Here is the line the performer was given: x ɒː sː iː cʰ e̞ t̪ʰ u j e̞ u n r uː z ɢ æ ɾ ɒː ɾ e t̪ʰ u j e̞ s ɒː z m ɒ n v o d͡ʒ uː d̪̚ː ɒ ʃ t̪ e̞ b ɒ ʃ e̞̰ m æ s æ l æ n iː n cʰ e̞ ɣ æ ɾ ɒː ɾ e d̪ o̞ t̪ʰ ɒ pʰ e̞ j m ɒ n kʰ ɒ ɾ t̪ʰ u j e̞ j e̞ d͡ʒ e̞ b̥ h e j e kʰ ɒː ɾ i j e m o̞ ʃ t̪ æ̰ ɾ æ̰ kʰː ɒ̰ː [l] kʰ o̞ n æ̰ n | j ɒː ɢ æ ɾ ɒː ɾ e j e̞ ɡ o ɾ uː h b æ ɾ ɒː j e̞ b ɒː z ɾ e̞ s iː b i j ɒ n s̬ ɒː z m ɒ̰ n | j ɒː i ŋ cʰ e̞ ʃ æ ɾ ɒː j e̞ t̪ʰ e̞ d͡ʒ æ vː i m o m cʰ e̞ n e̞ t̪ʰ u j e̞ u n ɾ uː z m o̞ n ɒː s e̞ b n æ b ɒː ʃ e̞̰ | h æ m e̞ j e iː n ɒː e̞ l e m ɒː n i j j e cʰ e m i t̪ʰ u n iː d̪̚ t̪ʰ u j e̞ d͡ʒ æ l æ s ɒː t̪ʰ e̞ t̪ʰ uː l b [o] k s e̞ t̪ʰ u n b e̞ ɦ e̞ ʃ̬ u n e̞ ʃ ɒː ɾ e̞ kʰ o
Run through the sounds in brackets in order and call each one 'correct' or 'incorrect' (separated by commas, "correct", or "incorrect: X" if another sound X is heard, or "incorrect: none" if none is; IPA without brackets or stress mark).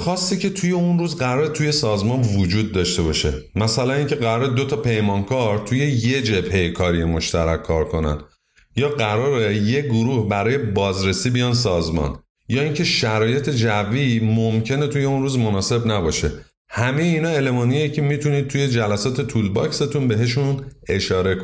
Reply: incorrect: ɾ, incorrect: ɒ